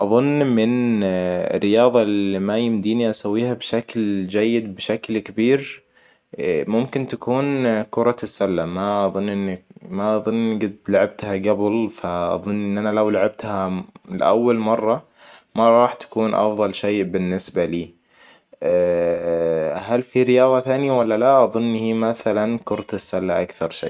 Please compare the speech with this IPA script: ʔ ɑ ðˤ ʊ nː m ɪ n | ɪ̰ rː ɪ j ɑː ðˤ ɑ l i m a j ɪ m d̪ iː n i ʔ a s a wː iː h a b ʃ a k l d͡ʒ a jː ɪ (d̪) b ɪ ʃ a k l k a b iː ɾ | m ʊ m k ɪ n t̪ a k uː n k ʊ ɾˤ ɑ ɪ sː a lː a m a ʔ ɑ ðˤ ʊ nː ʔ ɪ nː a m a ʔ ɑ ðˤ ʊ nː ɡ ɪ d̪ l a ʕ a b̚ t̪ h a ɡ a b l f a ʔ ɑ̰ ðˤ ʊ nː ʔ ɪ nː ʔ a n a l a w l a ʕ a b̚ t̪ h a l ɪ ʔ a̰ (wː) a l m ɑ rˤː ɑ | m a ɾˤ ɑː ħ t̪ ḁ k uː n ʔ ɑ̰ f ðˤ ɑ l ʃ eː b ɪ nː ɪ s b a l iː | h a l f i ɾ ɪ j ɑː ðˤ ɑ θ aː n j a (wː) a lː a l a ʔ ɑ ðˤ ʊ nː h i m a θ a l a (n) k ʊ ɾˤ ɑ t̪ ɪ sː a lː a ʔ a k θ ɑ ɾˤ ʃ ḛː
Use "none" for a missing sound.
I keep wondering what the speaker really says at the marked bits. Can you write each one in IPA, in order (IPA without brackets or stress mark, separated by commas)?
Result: d̪, wː, w, n